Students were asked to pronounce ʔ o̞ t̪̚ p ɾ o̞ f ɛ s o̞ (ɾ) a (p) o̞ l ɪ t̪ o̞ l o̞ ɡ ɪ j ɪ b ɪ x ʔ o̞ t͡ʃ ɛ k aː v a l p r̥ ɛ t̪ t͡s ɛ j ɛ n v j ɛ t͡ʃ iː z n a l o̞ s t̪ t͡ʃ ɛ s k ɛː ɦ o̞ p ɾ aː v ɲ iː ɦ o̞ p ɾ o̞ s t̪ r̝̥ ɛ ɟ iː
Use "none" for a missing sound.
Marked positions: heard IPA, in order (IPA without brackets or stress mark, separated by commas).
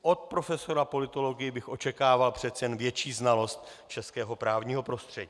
ɾ, p